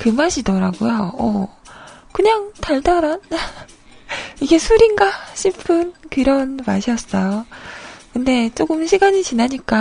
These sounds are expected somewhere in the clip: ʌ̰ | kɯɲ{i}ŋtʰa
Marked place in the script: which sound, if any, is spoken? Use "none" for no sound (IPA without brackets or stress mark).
a